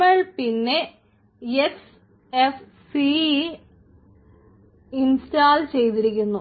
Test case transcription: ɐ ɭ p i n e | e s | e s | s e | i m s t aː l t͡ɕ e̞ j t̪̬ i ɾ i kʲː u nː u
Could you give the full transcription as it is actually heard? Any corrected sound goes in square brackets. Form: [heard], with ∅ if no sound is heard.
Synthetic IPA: ɐ ɭ p i [nː] e | e s | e [f] | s [i] | i [n] s t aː l t͡ɕ e̞ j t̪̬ i ɾ i kʲː u nː u